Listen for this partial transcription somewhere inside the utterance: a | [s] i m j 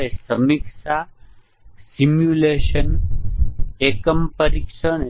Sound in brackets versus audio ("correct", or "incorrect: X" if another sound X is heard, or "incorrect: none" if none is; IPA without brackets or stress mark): correct